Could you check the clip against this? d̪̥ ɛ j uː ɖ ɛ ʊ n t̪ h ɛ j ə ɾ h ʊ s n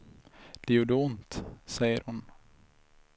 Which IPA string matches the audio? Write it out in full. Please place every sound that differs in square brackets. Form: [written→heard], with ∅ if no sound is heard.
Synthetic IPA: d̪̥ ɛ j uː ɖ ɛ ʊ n t̪ [h→s] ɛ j ə ɾ h ʊ [s→∅] n